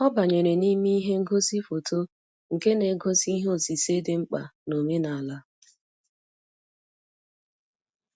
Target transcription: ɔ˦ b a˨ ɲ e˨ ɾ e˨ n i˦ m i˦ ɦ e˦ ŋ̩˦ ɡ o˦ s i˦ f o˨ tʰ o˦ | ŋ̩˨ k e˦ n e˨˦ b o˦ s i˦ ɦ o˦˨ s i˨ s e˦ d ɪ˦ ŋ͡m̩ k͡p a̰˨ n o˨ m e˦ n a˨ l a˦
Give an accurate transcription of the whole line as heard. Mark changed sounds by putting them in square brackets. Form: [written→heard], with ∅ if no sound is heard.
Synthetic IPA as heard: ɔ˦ b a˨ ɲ e˨ ɾ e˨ n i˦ m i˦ ɦ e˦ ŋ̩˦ ɡ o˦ s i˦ f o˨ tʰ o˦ | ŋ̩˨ k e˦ n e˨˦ [b→ɡ] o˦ s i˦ ɦ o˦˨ s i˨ s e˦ d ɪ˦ ŋ͡m̩ k͡p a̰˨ n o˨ m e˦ n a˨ l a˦